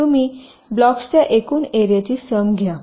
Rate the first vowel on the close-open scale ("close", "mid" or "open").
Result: close